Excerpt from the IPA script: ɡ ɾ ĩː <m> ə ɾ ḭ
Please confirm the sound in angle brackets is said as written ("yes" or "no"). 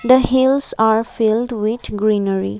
no